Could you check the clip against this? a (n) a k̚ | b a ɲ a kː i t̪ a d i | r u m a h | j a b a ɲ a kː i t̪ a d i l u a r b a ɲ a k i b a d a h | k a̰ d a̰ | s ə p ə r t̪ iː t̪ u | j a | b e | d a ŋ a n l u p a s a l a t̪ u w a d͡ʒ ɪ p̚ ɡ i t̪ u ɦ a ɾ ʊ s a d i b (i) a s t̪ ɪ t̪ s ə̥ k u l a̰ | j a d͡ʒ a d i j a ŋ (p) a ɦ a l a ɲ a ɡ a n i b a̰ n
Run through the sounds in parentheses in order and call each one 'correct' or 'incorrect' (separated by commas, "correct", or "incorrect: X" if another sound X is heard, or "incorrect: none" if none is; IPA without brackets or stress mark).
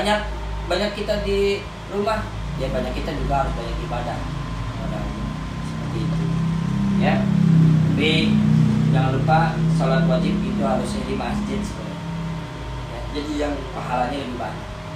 incorrect: ɲ, incorrect: a, correct